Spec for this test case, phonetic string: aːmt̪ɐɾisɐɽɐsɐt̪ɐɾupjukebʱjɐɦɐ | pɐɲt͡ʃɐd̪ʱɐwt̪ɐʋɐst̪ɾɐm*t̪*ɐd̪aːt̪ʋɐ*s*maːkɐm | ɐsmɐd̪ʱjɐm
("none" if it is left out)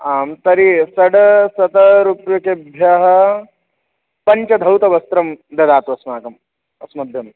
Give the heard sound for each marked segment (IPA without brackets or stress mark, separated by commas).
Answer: d̪, s